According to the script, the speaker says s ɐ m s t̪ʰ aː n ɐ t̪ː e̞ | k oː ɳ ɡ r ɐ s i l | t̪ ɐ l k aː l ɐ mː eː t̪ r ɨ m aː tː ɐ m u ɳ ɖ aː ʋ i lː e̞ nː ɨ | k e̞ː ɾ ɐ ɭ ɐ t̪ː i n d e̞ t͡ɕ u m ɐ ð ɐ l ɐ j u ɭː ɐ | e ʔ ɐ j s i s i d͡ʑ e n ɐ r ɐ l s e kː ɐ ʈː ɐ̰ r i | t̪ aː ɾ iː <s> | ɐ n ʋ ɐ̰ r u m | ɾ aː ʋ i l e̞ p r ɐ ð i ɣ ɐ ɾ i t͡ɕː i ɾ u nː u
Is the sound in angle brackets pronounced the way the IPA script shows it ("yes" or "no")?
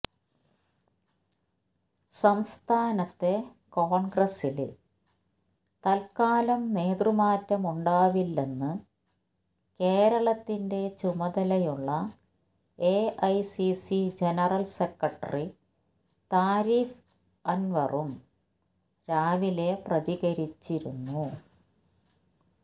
no